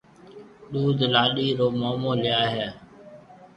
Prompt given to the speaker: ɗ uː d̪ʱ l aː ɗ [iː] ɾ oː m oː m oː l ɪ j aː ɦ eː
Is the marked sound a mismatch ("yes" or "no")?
no